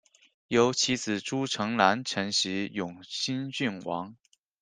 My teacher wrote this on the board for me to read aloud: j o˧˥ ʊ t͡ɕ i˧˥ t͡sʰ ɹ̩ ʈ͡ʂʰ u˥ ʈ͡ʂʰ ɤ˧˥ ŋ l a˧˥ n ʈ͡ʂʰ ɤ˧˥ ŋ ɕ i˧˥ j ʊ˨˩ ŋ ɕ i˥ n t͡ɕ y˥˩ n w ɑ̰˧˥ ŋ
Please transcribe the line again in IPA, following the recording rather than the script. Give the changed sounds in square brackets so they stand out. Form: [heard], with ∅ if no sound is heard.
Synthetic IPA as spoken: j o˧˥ ʊ [t͡ɕʰ] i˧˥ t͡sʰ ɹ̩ [ʈ͡ʂ] u˥ ʈ͡ʂʰ ɤ˧˥ ŋ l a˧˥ n ʈ͡ʂʰ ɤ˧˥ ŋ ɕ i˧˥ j ʊ˨˩ ŋ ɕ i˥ n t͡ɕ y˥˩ n w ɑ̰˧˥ ŋ